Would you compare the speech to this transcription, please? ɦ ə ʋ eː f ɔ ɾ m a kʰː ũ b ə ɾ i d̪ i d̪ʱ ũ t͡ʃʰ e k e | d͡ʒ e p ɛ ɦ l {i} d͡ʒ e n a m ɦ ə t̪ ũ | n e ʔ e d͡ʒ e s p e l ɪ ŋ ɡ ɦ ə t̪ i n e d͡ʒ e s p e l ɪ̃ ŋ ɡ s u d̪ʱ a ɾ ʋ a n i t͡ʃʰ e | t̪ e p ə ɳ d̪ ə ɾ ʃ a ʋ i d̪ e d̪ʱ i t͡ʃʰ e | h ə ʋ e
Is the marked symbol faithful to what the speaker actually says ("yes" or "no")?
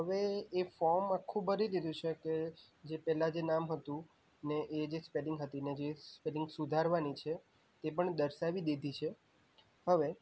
no